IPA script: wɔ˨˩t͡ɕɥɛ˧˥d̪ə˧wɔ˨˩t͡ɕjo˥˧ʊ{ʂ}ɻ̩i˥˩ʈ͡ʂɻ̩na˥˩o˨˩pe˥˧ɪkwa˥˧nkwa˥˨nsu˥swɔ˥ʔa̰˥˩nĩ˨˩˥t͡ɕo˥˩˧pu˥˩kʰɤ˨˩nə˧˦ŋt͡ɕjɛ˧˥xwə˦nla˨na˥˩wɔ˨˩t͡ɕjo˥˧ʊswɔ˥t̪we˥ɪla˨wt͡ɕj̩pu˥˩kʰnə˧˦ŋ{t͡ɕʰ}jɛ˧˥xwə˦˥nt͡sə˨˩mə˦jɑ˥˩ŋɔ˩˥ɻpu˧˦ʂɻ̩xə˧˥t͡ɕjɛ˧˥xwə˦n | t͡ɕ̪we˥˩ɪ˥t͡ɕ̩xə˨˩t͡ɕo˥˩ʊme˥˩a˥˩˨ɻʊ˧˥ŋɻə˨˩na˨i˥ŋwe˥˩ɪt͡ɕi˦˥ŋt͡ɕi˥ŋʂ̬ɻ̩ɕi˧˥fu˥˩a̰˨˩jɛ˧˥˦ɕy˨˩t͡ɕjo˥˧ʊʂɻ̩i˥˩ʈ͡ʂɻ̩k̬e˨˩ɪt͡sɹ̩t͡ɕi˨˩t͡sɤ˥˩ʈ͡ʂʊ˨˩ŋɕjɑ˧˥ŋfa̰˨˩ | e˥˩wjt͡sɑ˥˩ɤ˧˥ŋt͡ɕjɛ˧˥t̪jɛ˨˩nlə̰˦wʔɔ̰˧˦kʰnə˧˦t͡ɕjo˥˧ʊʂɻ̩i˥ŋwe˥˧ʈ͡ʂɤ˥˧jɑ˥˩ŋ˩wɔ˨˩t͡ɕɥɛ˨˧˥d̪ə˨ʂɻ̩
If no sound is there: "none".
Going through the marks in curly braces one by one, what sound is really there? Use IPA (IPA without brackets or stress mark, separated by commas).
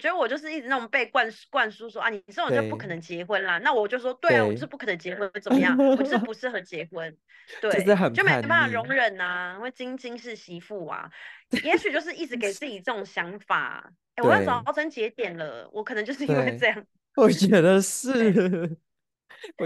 ʂ, t͡ɕ